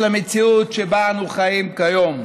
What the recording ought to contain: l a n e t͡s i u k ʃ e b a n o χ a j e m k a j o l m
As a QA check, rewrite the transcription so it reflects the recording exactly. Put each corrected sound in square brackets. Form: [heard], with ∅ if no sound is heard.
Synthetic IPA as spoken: l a [m] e t͡s i u [t] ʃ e b a n [u] χ a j [i] m k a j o [∅] m